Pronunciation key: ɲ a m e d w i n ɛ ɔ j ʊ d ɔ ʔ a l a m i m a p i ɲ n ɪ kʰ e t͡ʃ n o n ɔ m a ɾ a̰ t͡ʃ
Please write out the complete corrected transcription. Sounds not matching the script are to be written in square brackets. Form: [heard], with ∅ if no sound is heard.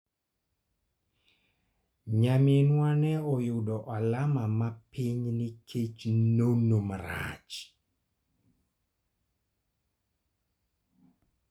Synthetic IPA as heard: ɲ a m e [n] w [a] n ɛ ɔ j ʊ d ɔ ʔ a l a m [a] m a p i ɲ n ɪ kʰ e t͡ʃ n o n [o] m a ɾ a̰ t͡ʃ